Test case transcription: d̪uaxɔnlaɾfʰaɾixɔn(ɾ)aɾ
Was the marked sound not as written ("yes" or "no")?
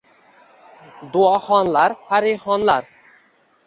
yes